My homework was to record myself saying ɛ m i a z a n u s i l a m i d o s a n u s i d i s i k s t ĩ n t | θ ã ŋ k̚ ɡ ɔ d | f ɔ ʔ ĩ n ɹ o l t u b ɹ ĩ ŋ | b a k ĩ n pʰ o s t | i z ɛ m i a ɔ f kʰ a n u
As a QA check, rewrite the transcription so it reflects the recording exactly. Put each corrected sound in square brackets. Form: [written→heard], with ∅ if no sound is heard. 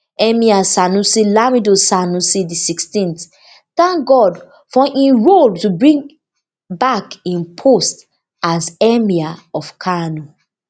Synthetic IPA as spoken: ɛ m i a [z→s] a n u s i l a m i d o s a n u s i d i s i k s t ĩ n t | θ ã ŋ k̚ ɡ ɔ d | f ɔ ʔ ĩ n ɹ o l t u b ɹ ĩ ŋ | b a k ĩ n pʰ o s t | [i→a] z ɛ m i a ɔ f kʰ a n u